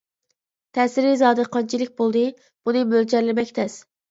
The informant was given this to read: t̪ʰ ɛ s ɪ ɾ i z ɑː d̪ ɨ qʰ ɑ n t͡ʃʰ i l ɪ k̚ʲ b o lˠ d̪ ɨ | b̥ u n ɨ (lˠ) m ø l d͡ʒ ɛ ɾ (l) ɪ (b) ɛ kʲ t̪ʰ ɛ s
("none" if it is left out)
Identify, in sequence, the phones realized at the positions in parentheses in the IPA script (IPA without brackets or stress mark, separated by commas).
none, l, m